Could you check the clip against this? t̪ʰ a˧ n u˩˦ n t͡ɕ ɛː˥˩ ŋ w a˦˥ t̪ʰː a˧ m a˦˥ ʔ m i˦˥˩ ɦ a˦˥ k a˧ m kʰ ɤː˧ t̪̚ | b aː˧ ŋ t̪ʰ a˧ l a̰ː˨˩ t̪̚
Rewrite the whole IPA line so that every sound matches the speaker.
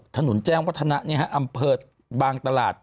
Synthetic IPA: t̪ʰ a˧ n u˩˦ n t͡ɕ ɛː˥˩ ŋ w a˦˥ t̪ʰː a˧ n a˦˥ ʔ n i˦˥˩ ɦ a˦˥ ʔ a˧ m pʰ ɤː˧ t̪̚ | b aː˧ ŋ t̪ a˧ l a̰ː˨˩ t̪̚